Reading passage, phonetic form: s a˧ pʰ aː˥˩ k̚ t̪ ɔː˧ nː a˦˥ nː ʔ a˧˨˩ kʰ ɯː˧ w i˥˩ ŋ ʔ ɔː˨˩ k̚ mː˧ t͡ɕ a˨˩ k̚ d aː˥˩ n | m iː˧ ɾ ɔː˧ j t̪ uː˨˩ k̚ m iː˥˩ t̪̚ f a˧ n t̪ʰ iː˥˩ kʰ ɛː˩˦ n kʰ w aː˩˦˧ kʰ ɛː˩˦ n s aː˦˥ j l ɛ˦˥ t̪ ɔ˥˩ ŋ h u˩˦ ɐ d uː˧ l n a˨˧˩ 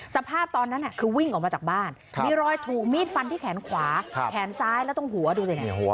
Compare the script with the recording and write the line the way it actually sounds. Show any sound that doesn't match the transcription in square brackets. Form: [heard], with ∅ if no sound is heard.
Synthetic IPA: s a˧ pʰ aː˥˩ [p̚] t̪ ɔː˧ nː a˦˥ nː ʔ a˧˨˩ kʰ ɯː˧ w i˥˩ ŋ ʔ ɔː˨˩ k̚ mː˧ t͡ɕ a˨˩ k̚ [b] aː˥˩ n | m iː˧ ɾ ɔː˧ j [t̪ʰ] uː˨˩ k̚ m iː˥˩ t̪̚ f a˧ n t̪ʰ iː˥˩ kʰ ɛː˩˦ n kʰ w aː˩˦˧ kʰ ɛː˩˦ n s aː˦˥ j l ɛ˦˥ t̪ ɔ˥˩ ŋ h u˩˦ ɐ d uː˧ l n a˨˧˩